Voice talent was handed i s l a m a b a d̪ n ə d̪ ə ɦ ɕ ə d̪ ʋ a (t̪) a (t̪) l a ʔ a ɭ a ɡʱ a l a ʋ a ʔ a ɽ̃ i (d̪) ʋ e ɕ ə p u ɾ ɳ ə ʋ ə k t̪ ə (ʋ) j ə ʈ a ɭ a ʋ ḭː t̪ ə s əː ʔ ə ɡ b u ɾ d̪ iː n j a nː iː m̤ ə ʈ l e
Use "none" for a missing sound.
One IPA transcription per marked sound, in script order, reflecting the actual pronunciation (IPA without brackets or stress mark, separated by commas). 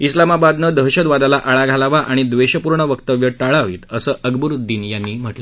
d̪, none, d̪, ʋ